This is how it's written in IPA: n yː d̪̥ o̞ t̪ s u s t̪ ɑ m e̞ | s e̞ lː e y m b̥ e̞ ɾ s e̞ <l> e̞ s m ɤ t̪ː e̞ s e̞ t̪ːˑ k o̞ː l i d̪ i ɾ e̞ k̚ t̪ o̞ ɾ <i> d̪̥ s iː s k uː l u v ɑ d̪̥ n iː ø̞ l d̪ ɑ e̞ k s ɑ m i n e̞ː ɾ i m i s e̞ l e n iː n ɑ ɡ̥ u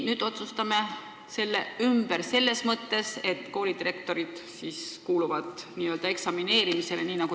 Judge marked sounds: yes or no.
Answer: no, yes

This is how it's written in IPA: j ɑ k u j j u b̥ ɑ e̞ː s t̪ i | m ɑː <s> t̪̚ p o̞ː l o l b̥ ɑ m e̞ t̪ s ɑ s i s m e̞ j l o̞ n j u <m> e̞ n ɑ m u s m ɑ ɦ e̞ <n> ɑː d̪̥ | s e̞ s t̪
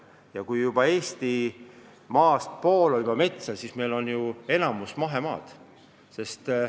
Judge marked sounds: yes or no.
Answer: yes, no, no

